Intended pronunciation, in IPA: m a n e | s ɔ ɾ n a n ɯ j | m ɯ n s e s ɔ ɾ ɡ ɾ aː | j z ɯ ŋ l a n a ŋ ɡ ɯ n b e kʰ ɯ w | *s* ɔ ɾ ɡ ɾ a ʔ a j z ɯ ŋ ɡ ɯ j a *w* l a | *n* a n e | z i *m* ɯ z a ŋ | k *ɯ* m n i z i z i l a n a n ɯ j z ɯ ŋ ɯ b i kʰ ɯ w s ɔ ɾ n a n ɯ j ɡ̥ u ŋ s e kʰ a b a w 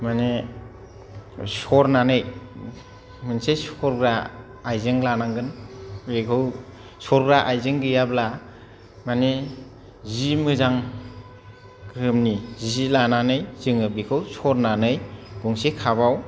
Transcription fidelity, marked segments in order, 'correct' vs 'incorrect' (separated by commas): correct, incorrect, incorrect, correct, correct